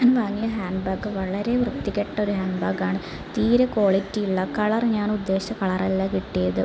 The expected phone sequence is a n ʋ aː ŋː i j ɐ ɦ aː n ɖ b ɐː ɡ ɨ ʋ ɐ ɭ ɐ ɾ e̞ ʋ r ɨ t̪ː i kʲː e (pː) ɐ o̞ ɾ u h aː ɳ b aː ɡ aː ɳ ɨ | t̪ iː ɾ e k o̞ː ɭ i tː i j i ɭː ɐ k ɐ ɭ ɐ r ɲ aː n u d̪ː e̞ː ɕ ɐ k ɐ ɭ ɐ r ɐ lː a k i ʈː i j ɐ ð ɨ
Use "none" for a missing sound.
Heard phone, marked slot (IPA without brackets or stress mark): ʈː